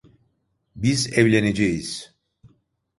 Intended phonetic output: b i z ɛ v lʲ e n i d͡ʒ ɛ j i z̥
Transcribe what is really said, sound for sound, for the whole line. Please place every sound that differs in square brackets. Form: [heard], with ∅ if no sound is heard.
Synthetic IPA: b i z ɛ v lʲ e n [e] d͡ʒ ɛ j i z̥

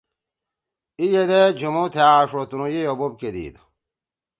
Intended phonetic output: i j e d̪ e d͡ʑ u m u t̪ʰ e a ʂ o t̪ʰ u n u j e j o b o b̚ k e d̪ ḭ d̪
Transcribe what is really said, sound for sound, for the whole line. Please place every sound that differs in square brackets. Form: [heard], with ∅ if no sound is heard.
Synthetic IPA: i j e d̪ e d͡ʑ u m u t̪ʰ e a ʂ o [t̪] u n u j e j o b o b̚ k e d̪ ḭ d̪

